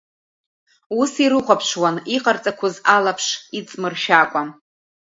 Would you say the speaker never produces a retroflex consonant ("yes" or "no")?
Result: no